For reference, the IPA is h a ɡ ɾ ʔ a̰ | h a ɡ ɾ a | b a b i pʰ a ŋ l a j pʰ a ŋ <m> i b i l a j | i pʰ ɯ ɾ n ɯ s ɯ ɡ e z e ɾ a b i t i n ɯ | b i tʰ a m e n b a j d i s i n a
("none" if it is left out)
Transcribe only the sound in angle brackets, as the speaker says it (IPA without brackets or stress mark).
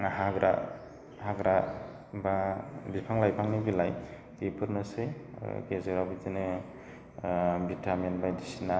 n